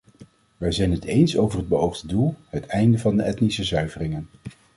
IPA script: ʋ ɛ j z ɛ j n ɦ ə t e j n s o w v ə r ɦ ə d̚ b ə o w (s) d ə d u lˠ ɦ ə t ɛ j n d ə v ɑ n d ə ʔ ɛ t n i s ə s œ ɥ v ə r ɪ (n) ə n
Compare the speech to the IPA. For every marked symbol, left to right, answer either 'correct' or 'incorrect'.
incorrect: χ, incorrect: ŋ

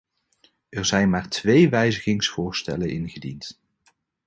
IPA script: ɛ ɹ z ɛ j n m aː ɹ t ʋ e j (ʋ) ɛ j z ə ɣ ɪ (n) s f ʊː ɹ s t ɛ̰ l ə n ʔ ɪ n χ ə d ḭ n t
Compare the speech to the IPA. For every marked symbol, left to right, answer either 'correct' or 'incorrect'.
correct, incorrect: ŋ

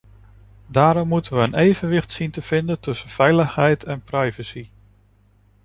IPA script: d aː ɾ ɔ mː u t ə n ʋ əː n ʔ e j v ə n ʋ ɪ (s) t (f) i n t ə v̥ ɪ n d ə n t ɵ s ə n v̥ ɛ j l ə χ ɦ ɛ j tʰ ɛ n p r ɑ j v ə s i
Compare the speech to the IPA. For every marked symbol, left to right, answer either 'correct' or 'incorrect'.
incorrect: χ, incorrect: s

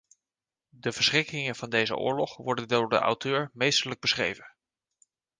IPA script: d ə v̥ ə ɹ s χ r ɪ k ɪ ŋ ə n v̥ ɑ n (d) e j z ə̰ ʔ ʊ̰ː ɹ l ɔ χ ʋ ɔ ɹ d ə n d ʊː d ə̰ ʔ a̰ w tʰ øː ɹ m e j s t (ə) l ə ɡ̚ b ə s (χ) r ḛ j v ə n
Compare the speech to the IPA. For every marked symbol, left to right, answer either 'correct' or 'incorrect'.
correct, correct, correct

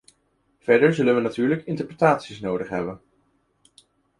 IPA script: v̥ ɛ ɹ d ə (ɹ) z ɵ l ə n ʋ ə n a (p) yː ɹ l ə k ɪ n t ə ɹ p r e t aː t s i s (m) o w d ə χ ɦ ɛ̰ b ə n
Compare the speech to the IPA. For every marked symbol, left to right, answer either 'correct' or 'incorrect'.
correct, incorrect: t, incorrect: n

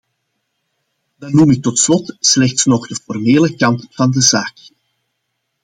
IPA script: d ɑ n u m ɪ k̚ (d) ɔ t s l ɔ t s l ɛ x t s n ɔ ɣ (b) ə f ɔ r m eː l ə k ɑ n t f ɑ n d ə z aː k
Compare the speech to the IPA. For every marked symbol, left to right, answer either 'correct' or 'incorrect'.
incorrect: t, incorrect: d

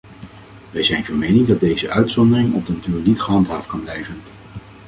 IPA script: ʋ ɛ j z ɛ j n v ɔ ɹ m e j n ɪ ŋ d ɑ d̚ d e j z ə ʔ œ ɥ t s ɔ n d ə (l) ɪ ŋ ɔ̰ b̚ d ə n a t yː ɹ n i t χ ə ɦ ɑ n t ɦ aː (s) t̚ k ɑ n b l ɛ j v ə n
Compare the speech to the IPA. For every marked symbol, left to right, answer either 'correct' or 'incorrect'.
incorrect: r, incorrect: f

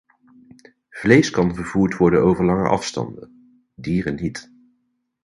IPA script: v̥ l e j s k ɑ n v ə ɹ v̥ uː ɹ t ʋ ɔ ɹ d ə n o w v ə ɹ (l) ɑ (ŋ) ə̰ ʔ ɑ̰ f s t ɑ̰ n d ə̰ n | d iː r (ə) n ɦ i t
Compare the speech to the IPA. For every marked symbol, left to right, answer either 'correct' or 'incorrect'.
correct, correct, correct

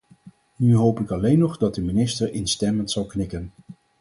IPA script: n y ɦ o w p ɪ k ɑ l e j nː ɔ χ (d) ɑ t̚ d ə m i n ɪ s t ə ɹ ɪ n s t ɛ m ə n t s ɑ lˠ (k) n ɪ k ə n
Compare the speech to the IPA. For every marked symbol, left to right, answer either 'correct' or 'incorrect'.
correct, correct

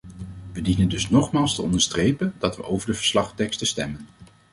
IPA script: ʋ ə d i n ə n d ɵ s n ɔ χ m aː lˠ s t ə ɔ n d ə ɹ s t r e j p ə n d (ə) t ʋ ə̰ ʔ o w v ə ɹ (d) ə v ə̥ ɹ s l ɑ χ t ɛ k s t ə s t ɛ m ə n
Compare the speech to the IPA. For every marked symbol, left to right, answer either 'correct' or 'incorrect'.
incorrect: ɑ, correct

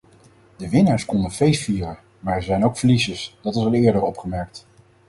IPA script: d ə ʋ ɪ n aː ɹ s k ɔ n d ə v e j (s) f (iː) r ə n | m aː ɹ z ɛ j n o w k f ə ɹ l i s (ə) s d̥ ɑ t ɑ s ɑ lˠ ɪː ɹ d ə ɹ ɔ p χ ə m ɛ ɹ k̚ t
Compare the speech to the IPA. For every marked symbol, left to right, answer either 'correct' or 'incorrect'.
correct, correct, correct

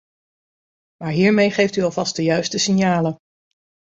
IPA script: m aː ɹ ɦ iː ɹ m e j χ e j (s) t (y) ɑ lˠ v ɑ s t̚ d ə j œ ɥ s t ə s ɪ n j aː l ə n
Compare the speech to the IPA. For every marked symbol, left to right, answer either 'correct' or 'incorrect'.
incorrect: f, correct

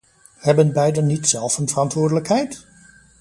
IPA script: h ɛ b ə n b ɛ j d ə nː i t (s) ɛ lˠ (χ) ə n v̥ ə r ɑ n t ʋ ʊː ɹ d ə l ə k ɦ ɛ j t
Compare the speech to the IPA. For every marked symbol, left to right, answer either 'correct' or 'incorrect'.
correct, incorrect: f

